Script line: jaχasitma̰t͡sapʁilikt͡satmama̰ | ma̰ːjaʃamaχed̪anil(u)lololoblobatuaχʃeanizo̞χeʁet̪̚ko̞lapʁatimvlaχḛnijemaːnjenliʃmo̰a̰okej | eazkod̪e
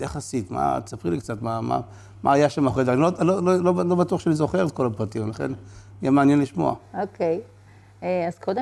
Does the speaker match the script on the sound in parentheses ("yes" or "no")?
no